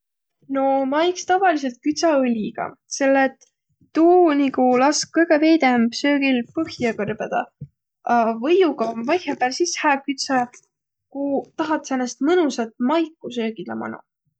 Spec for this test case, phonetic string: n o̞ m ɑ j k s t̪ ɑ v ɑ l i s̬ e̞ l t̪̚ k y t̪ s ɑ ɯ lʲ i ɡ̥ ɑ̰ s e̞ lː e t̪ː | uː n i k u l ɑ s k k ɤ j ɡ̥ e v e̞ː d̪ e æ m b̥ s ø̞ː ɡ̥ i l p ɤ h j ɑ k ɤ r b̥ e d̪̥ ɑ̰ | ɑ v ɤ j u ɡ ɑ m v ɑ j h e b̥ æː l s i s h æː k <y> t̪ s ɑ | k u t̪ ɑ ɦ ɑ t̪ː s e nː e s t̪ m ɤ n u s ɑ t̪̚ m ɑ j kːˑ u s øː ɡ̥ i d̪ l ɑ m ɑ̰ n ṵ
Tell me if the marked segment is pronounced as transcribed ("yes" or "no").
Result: yes